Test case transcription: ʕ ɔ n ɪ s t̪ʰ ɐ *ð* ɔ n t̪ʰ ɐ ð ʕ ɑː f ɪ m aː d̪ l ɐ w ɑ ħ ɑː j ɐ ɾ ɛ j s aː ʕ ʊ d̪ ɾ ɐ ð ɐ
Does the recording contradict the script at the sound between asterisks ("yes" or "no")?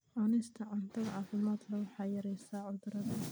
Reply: yes